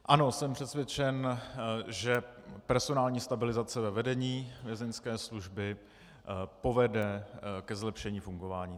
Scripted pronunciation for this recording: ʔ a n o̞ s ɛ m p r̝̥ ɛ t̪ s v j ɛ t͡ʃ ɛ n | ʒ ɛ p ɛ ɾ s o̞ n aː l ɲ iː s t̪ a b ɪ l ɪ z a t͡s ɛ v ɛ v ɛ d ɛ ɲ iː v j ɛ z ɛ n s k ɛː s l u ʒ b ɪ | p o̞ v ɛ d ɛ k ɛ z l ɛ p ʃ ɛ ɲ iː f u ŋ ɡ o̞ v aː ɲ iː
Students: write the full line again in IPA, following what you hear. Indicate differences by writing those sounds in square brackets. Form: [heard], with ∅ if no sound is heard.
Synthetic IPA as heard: ʔ a n o̞ s ɛ m p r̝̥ ɛ t̪ s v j ɛ t͡ʃ ɛ n | ʒ ɛ p ɛ ɾ s o̞ n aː l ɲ iː s t̪ a b ɪ l ɪ z a t͡s ɛ v ɛ v ɛ d ɛ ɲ iː v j ɛ z ɛ n s k ɛː s l u ʒ b ɪ | p o̞ v ɛ d ɛ k ɛ z l ɛ p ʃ ɛ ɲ iː f u ŋ ɡ o̞ v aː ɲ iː